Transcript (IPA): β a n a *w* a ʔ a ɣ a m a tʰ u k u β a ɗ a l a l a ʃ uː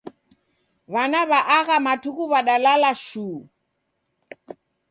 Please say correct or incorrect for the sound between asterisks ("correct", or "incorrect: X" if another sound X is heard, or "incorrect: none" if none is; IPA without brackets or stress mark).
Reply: incorrect: β